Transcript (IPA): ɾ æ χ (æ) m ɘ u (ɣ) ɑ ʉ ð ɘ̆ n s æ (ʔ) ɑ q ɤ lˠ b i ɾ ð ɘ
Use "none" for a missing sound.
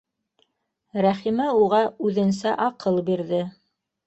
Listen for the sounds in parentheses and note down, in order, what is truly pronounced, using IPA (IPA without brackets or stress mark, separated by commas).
i, ʁ, ʔ